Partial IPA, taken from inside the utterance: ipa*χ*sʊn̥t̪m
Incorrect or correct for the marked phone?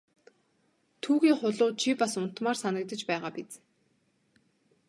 incorrect: none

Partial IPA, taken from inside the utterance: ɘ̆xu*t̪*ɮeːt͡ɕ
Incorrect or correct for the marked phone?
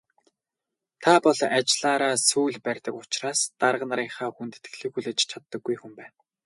incorrect: none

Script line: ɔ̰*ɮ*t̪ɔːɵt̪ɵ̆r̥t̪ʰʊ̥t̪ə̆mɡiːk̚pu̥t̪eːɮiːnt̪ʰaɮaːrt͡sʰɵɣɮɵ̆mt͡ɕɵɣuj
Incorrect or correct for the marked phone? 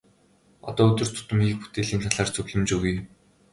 incorrect: none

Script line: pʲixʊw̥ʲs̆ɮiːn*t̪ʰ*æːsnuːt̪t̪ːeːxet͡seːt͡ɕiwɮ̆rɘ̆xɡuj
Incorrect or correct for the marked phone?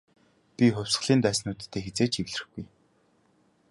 incorrect: t̪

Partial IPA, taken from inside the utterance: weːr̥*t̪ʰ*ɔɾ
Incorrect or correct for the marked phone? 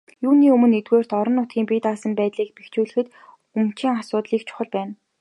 incorrect: t̪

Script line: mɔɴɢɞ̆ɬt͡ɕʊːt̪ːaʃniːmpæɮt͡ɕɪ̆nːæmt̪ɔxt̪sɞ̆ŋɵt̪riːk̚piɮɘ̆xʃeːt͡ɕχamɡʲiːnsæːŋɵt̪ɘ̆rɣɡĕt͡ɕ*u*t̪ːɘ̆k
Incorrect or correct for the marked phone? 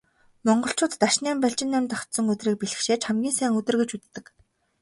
correct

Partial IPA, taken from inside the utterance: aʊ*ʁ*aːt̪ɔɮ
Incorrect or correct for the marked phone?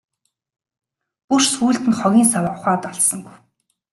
incorrect: χ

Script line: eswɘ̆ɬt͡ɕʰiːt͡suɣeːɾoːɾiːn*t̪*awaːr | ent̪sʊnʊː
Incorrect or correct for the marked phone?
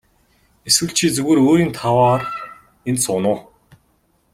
incorrect: t̪ʰ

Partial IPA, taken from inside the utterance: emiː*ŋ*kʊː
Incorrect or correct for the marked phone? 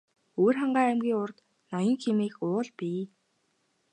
incorrect: none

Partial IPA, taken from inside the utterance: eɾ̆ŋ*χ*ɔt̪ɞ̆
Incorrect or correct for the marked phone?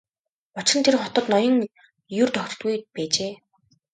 correct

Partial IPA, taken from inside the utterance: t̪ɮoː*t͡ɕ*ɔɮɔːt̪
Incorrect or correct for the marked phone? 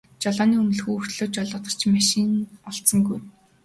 correct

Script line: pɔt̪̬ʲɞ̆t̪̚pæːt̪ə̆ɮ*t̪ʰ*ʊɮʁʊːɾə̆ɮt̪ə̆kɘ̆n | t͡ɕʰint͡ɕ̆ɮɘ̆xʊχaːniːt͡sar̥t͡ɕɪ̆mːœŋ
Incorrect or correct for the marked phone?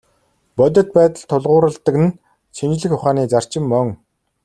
correct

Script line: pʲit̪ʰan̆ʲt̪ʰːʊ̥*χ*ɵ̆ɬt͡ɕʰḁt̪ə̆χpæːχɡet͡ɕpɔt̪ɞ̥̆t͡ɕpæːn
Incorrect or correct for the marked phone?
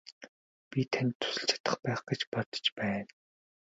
incorrect: s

